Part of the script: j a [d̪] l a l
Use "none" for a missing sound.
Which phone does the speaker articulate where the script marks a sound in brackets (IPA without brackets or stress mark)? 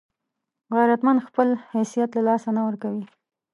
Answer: t̪